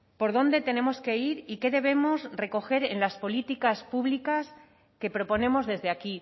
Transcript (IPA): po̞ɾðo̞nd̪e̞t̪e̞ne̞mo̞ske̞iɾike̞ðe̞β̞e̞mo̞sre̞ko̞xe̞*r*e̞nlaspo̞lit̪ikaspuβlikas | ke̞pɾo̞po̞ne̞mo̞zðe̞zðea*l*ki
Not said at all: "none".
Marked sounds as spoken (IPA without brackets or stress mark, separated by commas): ɾ, none